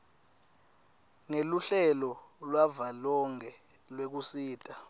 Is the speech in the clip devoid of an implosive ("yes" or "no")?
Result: yes